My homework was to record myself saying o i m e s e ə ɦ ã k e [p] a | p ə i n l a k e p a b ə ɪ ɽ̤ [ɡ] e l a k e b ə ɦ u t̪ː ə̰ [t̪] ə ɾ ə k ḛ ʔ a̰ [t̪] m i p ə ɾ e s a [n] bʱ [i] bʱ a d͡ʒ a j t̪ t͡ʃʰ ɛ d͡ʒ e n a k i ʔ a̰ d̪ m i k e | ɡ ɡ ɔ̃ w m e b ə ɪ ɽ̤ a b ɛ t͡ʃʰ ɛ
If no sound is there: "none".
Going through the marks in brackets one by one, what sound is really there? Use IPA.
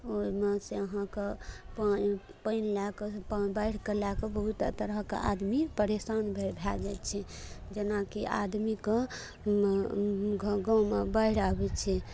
p, k, t̪, d̪, n, e

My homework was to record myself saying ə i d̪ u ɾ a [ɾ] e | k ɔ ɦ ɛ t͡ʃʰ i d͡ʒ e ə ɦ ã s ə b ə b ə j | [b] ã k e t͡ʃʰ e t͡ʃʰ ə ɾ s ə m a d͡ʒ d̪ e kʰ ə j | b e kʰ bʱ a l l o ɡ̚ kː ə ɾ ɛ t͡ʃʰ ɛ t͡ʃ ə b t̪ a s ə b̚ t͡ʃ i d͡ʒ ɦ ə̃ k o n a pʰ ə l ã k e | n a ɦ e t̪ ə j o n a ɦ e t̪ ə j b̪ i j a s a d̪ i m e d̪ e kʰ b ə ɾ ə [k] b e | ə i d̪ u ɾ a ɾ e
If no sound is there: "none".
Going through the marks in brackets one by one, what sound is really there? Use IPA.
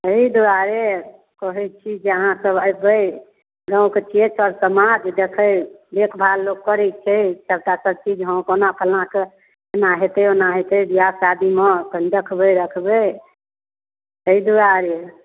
ɾ, ɡ, kʰ

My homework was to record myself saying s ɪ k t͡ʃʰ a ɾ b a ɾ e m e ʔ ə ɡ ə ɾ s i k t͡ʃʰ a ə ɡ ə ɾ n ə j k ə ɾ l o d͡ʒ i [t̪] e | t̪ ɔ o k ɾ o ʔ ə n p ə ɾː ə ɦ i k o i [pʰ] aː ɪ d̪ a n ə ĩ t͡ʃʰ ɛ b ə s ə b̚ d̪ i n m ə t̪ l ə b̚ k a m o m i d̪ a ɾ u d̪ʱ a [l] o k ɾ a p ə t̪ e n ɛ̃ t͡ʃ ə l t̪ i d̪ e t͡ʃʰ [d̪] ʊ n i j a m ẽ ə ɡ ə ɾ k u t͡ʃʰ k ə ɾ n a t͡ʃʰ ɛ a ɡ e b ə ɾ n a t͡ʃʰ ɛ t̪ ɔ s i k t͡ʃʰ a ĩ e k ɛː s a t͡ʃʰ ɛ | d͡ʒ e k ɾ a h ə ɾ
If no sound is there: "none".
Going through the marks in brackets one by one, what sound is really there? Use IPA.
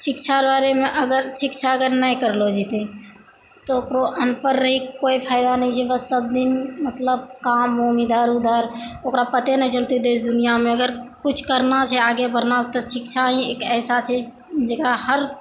t̪, pʰ, ɾ, d̪

